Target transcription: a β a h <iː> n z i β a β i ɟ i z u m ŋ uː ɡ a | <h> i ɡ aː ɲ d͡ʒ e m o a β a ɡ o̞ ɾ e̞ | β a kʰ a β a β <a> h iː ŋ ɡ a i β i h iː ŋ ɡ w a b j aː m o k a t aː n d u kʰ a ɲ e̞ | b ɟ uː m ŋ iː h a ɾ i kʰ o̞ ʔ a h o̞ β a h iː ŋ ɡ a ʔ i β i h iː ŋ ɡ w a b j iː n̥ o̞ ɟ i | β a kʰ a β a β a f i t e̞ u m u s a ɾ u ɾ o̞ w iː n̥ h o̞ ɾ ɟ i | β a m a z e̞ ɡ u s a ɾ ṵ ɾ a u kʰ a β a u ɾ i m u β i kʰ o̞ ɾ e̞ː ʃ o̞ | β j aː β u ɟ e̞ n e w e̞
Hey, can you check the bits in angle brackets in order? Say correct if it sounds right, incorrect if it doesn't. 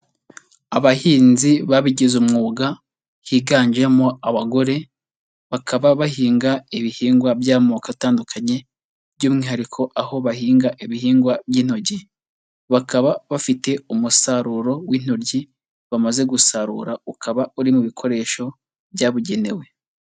correct, correct, correct

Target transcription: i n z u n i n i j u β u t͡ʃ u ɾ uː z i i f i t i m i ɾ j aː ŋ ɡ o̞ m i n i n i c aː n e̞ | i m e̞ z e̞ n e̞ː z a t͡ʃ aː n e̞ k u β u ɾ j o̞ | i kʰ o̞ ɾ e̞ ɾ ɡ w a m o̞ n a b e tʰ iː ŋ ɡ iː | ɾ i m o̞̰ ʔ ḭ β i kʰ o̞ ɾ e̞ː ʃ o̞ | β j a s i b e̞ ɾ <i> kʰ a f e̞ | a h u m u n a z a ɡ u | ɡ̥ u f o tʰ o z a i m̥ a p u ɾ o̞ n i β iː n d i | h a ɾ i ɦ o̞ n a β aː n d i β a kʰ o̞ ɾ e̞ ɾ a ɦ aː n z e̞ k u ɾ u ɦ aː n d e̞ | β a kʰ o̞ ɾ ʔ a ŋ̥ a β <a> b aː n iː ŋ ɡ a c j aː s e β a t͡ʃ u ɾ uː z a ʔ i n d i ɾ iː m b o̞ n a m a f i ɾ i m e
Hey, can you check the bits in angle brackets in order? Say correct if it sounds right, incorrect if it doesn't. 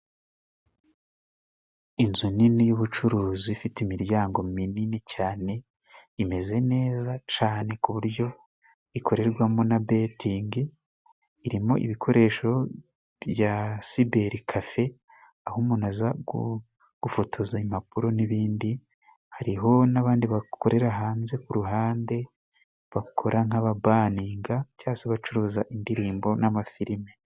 correct, correct

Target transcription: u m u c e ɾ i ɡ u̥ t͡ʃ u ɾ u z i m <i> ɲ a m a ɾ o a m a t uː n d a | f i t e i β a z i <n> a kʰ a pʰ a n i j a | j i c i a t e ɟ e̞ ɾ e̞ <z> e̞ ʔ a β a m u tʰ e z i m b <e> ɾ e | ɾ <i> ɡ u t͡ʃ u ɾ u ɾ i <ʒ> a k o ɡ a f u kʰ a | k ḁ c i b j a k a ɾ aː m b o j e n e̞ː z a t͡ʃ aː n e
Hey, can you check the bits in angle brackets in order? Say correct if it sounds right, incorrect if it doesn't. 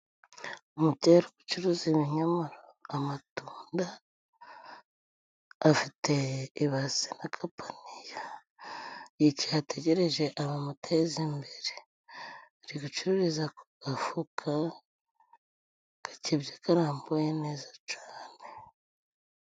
correct, correct, incorrect, correct, correct, incorrect

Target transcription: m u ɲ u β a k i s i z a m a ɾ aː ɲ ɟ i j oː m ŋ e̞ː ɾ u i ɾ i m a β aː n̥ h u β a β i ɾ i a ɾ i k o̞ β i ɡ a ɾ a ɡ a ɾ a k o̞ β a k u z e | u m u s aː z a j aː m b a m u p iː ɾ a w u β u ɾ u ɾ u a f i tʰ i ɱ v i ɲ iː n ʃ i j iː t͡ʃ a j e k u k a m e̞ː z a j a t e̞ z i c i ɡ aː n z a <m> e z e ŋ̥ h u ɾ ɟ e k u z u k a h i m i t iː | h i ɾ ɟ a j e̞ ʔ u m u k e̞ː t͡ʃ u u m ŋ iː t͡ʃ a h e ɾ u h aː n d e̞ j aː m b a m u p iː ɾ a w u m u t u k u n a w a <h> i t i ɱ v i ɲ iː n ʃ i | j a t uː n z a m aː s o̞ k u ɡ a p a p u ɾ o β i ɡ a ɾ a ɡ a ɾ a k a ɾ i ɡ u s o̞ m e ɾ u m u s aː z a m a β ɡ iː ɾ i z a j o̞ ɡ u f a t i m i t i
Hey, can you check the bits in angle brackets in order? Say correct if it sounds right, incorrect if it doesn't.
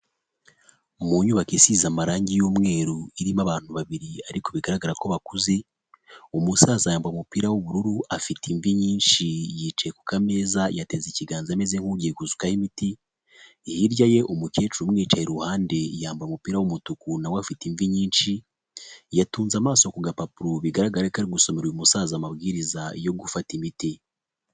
correct, incorrect

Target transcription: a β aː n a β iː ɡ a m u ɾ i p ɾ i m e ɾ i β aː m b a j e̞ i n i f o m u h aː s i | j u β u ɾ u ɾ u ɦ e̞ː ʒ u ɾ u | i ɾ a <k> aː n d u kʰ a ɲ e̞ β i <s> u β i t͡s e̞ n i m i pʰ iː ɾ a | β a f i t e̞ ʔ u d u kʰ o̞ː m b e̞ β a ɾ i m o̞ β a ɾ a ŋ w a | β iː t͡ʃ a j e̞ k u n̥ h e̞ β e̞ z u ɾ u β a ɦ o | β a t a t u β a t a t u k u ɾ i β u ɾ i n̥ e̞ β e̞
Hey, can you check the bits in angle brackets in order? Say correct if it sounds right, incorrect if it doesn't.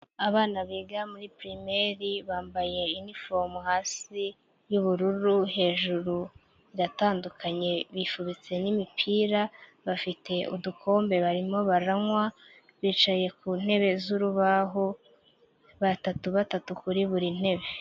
incorrect, incorrect

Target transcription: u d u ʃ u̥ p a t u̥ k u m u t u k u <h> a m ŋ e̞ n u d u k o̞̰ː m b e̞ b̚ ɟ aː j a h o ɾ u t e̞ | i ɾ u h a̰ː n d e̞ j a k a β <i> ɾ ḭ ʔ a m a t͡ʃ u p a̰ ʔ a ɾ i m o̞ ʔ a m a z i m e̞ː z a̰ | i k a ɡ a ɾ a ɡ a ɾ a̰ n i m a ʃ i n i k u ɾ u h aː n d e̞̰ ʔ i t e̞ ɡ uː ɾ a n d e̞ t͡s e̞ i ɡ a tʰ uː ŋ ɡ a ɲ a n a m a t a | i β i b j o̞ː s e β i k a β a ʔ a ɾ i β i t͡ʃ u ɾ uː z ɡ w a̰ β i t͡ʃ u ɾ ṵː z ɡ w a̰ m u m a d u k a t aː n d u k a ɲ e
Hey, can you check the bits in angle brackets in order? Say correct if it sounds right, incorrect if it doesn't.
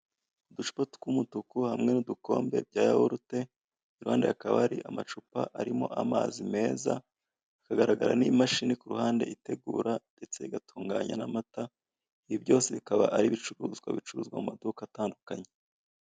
correct, incorrect

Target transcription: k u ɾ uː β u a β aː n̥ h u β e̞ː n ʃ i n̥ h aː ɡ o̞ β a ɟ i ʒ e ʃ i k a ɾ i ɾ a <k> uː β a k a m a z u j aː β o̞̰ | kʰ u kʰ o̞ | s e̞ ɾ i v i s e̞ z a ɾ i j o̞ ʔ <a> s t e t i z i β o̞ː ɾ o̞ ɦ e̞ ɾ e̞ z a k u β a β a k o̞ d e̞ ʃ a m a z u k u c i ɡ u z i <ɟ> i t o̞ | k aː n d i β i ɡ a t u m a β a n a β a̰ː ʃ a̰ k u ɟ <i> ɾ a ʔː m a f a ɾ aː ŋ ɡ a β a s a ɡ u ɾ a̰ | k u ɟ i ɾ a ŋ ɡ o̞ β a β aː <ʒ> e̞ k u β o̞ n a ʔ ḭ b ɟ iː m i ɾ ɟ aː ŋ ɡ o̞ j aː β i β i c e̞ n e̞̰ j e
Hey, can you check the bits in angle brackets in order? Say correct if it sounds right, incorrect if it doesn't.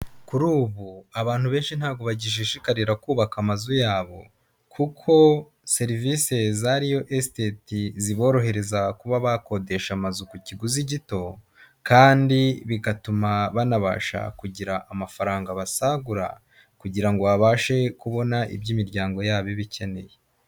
correct, incorrect, correct, correct, incorrect

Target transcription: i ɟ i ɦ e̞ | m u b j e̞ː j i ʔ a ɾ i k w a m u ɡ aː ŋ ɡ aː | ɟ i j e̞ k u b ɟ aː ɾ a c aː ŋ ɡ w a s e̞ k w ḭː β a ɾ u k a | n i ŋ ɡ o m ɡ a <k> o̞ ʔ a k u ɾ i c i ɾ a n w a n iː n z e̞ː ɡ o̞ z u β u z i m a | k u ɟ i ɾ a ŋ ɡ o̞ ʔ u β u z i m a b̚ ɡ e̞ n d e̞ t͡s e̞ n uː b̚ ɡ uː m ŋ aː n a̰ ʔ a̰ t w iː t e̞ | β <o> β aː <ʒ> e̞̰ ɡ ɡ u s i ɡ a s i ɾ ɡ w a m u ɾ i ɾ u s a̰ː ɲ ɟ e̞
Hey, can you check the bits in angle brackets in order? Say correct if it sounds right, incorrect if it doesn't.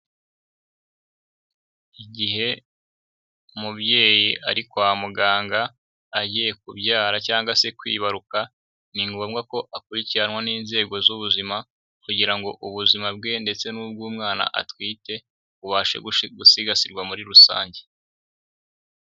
correct, incorrect, incorrect

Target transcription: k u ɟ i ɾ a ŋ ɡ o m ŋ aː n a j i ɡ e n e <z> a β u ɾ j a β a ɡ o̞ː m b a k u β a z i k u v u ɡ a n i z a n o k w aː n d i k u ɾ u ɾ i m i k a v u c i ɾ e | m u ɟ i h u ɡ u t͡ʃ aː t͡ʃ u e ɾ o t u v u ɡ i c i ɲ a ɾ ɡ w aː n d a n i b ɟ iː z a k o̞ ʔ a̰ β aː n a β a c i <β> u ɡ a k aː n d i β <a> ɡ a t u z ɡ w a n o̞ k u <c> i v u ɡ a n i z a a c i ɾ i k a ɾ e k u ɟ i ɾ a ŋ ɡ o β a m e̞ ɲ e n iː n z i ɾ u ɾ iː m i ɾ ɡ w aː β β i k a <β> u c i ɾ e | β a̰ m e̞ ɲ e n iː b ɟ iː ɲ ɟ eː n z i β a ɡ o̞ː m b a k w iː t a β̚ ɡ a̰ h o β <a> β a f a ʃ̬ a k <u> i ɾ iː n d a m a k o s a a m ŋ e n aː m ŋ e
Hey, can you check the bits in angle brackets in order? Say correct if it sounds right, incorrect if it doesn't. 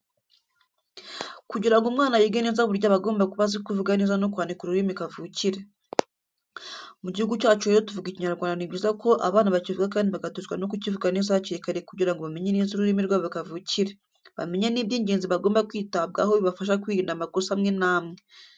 correct, incorrect, correct, correct, incorrect, incorrect, incorrect

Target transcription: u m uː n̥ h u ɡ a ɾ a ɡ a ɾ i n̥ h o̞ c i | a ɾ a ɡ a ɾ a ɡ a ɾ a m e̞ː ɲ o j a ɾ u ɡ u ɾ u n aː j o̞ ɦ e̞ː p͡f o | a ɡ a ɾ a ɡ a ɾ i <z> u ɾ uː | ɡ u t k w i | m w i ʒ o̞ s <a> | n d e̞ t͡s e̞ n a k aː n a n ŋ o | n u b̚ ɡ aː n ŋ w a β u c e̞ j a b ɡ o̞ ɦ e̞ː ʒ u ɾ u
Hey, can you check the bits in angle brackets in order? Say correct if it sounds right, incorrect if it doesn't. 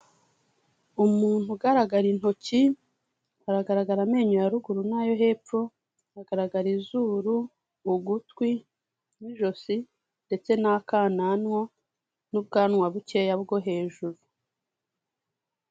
correct, incorrect

